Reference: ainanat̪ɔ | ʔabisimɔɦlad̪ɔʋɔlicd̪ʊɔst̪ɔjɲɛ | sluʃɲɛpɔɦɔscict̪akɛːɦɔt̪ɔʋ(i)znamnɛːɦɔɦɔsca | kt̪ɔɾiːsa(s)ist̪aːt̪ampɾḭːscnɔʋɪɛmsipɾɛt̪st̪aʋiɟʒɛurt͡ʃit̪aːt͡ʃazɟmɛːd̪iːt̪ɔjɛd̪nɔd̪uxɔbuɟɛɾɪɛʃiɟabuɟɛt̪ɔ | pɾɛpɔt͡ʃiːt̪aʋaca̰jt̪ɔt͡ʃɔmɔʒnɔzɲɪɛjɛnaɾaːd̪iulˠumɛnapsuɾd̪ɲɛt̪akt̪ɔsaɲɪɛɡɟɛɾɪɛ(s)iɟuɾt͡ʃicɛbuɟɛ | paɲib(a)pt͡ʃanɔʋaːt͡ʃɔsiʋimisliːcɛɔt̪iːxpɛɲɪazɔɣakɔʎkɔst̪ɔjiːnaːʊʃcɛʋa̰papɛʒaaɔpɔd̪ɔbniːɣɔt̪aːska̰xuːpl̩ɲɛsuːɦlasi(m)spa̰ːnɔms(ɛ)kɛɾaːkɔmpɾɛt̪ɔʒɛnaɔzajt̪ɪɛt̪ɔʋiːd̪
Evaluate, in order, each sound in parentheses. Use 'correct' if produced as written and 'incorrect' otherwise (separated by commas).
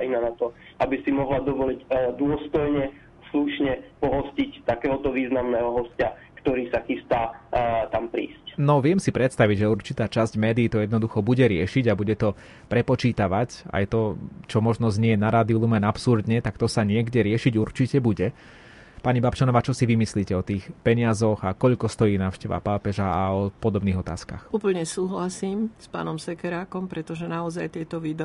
incorrect, incorrect, incorrect, correct, correct, correct